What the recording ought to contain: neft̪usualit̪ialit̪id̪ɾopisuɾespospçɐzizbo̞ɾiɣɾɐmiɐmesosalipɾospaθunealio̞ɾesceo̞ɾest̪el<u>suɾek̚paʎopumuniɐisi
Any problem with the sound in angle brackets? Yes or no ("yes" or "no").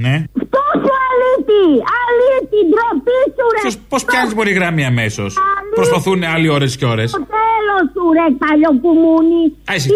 yes